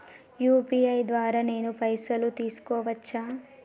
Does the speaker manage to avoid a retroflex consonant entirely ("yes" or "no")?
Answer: yes